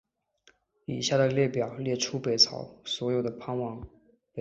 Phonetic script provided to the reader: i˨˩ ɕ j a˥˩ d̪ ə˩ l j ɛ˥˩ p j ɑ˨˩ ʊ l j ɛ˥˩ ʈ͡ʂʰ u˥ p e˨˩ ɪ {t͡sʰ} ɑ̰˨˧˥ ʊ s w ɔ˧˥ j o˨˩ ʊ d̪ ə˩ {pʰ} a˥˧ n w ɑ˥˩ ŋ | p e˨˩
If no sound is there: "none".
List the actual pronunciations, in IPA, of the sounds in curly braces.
t͡sʰ, pʰ

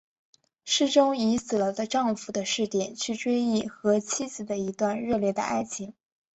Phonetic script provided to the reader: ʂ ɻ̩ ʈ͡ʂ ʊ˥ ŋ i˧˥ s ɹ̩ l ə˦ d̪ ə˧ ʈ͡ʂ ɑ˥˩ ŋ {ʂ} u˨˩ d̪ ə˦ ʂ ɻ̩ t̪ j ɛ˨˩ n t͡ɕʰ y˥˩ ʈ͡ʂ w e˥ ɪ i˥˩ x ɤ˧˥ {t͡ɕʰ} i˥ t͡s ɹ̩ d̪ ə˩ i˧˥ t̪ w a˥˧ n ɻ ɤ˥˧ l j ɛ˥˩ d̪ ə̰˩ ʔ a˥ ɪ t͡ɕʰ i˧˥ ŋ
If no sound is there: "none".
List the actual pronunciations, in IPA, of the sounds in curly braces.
f, t͡ɕʰ

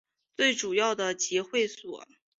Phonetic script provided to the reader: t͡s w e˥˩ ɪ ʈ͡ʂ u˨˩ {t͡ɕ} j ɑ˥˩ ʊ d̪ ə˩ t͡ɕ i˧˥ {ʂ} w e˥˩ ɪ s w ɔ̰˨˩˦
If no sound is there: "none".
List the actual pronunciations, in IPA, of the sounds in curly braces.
none, x

